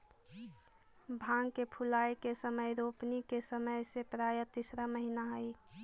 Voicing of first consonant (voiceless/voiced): voiced